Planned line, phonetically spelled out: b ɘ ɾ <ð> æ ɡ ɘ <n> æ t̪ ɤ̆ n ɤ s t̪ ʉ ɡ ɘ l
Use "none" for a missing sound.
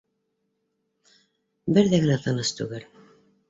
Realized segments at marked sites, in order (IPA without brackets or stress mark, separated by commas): ð, n